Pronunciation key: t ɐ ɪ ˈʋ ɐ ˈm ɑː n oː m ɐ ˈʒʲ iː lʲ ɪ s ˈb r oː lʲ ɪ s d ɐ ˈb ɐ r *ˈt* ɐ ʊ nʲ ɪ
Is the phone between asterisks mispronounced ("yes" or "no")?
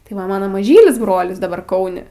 yes